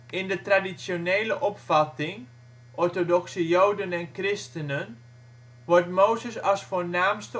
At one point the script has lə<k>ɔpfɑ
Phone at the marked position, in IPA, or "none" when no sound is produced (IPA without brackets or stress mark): ʔ